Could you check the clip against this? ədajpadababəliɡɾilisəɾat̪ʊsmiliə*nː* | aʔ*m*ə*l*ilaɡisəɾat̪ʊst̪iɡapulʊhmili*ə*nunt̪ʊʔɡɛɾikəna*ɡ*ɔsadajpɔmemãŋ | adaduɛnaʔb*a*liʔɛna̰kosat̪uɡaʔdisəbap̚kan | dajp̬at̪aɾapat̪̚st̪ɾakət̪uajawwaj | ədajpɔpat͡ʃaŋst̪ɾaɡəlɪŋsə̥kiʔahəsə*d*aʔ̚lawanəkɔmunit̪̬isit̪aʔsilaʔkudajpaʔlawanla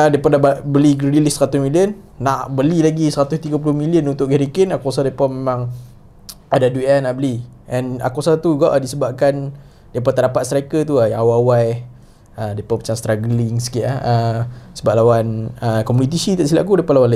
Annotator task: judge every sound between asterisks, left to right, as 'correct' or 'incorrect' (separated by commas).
correct, incorrect, correct, correct, incorrect, incorrect, incorrect